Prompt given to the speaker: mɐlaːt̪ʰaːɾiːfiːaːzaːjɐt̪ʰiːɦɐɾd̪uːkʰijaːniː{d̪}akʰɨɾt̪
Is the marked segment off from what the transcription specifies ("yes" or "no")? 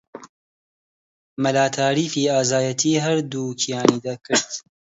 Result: no